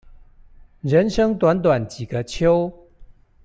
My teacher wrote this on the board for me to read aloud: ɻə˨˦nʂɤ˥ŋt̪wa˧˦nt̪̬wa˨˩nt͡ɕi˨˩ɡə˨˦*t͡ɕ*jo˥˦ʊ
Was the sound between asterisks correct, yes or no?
no